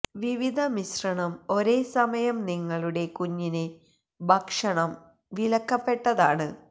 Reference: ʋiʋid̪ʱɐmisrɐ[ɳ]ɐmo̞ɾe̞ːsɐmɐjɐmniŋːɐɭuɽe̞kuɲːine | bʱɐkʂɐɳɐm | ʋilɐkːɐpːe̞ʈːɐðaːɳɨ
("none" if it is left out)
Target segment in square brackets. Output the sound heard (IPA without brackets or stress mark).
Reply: ɳ